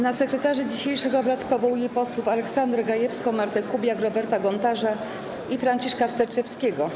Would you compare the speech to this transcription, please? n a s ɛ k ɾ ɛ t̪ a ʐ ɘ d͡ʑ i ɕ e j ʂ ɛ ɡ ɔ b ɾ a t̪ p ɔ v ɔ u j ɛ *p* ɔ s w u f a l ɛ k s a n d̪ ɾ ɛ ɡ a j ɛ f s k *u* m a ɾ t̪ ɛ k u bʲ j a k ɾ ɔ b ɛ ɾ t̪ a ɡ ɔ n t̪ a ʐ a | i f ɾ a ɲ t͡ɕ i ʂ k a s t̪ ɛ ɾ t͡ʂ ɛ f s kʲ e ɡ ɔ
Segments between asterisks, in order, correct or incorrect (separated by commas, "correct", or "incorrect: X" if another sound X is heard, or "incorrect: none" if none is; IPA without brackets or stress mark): correct, incorrect: ɔ